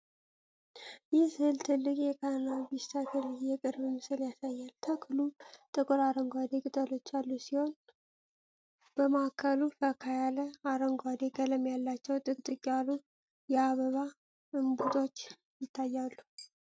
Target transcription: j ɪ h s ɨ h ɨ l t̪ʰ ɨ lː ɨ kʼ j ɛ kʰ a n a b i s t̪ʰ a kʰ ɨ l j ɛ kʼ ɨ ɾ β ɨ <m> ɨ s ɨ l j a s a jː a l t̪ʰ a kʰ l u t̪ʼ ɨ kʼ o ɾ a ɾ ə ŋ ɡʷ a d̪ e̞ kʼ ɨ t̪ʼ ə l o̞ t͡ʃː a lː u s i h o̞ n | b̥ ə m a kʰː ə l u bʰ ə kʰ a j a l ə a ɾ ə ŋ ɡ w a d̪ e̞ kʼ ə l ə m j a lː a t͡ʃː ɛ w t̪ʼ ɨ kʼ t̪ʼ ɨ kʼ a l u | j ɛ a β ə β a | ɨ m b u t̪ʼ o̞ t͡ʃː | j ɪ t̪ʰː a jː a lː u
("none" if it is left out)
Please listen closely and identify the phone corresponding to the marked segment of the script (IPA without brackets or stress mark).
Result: m